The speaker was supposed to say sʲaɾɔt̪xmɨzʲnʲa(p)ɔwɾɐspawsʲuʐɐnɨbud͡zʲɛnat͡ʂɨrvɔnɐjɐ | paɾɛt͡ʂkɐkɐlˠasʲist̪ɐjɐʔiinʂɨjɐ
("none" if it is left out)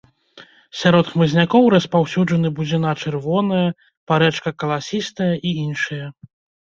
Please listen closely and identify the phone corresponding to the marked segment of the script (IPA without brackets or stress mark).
k